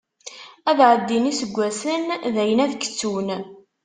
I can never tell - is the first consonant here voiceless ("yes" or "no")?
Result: no